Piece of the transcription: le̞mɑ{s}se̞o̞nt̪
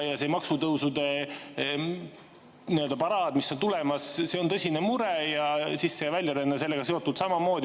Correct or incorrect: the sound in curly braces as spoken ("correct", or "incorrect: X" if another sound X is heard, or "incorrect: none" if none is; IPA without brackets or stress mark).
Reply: correct